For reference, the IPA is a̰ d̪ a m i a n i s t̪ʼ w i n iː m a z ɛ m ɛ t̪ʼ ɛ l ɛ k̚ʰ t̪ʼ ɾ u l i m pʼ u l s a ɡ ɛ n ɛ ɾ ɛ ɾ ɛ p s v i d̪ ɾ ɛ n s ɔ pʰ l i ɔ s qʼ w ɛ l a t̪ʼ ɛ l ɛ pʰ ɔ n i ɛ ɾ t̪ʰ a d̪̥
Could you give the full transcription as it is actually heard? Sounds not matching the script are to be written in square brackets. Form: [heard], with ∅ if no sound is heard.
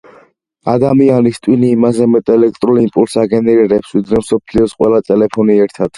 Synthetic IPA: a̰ d̪ a m i a n i s t̪ʼ w i n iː m a z ɛ m ɛ t̪ʼ ɛ l ɛ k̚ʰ t̪ʼ ɾ u l i m pʼ u l s a ɡ ɛ n ɛ ɾ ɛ ɾ ɛ p s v i d̪ ɾ ɛ [m] s ɔ pʰ l i ɔ s qʼ w ɛ l a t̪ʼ ɛ l ɛ pʰ ɔ n i ɛ ɾ t̪ʰ a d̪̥